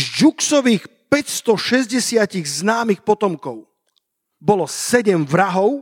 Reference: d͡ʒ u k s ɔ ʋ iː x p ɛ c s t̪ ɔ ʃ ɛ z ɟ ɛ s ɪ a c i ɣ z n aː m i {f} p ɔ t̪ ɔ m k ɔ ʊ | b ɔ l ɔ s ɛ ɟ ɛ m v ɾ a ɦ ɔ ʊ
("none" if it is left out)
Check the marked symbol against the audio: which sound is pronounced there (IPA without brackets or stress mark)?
x